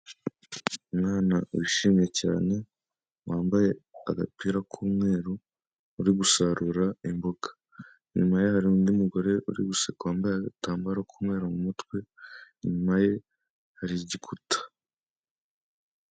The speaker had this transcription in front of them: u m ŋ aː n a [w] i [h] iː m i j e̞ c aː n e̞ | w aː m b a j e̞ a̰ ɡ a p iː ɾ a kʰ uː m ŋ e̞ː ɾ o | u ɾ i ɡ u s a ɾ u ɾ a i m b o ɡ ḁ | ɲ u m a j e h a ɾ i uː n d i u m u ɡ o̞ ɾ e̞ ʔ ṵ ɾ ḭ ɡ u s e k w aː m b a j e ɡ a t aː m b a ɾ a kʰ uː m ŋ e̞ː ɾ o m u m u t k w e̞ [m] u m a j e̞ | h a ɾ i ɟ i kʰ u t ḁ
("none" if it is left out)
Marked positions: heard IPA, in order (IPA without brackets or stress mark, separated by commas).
w, ʃ, ɲ